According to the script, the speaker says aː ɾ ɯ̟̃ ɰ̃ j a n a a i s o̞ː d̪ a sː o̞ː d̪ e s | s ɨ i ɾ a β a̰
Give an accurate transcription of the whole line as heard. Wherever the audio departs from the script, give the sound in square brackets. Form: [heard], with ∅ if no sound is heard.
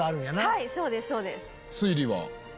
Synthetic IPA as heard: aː ɾ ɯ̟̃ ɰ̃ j a n a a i s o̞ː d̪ [e] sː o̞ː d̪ e s | s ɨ i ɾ [i] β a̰